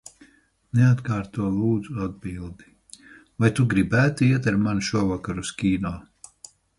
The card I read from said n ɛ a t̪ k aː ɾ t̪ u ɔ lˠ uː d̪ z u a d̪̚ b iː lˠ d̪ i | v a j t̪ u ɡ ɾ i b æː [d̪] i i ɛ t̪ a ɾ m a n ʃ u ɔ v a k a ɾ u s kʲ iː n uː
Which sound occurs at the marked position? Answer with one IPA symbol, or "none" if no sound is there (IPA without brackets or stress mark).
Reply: t̪